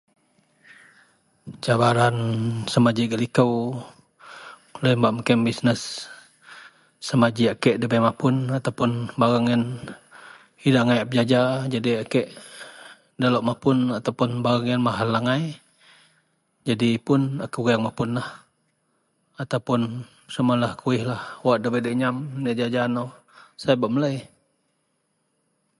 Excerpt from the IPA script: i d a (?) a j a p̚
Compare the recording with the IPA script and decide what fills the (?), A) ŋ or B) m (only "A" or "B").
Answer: A